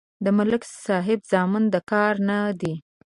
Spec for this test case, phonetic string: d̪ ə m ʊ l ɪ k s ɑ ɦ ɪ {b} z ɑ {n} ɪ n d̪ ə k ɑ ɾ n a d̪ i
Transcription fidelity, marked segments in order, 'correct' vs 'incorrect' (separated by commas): correct, incorrect